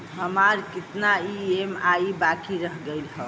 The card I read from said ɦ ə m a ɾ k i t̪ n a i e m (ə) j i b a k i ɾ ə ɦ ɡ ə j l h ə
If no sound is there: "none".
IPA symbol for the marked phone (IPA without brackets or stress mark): a